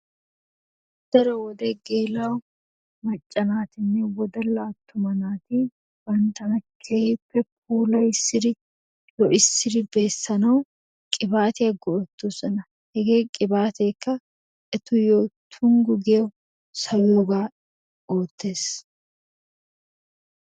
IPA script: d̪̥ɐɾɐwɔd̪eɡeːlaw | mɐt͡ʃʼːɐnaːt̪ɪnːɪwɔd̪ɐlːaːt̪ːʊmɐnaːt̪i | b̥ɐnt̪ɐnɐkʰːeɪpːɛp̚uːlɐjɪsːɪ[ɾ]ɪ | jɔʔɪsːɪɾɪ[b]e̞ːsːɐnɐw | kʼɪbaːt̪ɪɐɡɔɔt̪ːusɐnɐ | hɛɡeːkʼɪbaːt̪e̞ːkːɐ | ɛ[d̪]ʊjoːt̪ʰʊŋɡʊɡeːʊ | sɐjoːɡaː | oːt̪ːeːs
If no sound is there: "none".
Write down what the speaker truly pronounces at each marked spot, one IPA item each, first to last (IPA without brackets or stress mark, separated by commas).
ɾ, b, t̪